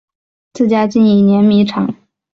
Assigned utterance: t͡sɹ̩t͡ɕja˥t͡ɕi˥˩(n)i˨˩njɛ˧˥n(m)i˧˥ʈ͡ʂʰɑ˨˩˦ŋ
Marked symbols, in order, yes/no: yes, yes

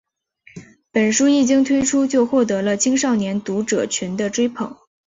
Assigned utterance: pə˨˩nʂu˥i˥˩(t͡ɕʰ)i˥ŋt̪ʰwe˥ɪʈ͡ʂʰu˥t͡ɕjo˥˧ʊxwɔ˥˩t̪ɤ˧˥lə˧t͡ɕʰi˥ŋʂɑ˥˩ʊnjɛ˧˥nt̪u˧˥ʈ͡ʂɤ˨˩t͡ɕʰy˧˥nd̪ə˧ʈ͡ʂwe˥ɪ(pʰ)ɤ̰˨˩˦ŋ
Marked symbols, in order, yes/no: no, yes

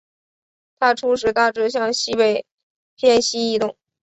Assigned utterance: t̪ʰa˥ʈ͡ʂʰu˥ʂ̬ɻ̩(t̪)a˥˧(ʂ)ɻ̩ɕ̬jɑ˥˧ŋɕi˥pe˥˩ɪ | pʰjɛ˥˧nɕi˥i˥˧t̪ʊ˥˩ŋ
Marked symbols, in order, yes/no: yes, no

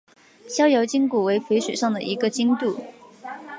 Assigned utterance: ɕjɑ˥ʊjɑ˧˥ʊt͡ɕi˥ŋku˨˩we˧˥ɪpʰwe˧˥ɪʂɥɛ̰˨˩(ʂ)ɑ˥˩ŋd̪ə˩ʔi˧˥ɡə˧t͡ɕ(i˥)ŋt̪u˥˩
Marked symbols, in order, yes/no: yes, yes

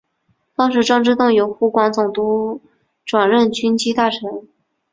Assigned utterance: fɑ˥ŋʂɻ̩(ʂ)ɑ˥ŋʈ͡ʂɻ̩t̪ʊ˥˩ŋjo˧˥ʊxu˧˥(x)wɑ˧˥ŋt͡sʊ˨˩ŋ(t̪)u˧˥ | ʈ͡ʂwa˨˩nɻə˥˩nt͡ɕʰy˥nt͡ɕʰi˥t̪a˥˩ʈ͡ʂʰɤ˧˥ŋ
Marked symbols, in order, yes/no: no, no, yes

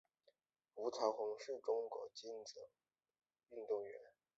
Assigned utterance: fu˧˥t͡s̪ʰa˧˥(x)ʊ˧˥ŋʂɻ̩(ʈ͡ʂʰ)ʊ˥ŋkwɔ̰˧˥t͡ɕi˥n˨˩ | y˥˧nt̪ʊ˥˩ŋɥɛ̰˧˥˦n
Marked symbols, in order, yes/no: yes, no

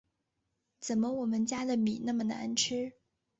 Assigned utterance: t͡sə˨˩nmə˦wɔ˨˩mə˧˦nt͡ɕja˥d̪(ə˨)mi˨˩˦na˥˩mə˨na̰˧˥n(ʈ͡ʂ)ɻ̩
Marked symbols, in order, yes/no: yes, no

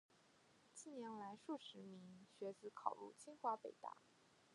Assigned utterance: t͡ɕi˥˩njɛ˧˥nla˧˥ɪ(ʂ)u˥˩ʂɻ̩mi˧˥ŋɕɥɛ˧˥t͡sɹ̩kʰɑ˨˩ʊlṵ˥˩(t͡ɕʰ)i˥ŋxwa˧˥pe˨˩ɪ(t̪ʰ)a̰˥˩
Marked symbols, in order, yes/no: yes, yes, no

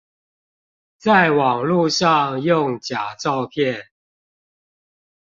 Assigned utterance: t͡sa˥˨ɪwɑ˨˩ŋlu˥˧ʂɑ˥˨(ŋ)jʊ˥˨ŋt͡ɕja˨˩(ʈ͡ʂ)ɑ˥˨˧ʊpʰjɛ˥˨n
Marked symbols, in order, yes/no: yes, yes

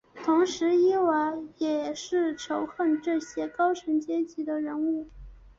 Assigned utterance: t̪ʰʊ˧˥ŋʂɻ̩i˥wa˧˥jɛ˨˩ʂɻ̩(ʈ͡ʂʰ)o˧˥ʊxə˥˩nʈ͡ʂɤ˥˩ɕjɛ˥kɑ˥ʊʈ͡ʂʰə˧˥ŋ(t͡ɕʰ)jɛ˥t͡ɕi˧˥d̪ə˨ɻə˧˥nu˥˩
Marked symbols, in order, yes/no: yes, no

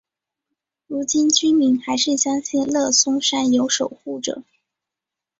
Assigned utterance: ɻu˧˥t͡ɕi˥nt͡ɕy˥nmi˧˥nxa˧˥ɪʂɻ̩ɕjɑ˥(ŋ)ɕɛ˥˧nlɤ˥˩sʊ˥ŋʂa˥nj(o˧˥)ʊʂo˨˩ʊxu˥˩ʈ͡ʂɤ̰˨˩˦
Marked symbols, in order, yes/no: yes, yes

